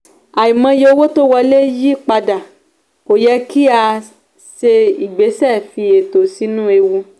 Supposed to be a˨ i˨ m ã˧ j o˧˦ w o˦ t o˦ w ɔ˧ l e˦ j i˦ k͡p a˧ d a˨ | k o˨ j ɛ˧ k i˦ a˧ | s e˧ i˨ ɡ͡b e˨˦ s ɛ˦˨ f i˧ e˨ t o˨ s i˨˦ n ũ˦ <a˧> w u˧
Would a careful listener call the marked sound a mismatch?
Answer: yes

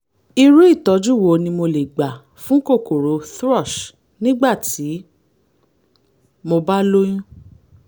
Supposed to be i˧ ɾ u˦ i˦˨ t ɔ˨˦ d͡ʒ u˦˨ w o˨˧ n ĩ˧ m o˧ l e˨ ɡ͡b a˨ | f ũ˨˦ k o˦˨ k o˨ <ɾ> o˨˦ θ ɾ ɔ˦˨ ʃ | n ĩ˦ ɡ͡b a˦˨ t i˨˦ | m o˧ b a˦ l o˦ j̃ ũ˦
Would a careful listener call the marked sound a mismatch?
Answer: no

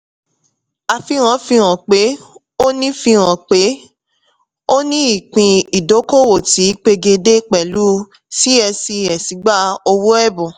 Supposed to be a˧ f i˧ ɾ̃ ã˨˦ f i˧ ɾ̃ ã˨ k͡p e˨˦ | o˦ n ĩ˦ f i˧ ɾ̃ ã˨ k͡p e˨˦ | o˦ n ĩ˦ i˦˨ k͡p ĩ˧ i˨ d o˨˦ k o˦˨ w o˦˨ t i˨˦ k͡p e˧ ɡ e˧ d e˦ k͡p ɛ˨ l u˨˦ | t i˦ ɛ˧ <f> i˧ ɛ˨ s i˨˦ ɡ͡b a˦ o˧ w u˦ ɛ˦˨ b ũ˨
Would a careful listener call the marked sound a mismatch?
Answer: yes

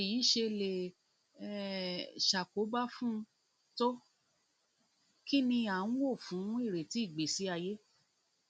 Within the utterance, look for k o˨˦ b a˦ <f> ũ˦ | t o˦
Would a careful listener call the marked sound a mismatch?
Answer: no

